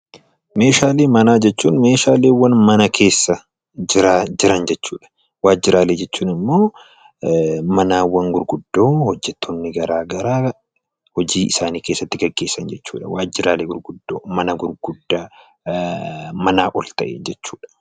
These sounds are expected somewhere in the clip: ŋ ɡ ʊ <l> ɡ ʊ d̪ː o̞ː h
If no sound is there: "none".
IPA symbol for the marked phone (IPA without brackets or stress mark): ɾ